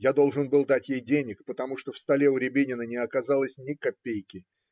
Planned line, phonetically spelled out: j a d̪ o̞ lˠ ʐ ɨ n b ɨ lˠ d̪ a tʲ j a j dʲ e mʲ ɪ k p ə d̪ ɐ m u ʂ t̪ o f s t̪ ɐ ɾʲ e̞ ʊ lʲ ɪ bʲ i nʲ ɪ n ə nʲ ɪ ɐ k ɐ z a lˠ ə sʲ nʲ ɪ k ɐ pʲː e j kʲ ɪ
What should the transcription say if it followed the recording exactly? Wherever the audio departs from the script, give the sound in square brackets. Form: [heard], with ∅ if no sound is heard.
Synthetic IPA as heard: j a d̪ o̞ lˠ ʐ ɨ n b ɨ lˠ d̪ a tʲ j [e] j dʲ e [nʲ] ɪ k p ə [t̪] ɐ m u ʂ t̪ o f s t̪ ɐ [lʲ] e̞ ʊ [ɾʲ] ɪ bʲ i nʲ ɪ n ə nʲ ɪ ɐ k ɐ z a lˠ ə sʲ nʲ ɪ k ɐ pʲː e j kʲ ɪ